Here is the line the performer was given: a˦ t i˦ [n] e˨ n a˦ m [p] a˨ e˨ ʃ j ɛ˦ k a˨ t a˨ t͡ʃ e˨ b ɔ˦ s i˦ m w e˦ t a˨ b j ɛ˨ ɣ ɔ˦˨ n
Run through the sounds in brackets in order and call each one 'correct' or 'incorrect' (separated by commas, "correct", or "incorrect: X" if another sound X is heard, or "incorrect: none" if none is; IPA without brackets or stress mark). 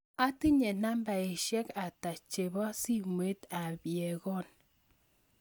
incorrect: ɲ, incorrect: b